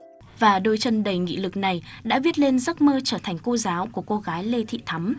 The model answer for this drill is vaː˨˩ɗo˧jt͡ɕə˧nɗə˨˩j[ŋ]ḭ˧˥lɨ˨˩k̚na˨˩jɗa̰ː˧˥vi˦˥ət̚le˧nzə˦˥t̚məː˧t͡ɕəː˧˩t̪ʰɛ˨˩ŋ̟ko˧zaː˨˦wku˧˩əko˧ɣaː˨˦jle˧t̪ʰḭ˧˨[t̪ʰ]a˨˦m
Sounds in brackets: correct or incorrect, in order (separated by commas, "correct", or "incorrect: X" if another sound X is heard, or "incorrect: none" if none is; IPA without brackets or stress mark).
correct, correct